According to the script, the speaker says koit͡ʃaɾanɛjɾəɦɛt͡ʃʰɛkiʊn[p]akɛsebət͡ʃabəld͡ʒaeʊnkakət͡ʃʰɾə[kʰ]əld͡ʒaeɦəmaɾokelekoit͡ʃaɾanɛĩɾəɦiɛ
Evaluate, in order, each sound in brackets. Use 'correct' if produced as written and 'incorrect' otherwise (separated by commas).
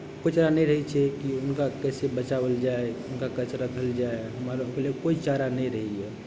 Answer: incorrect, correct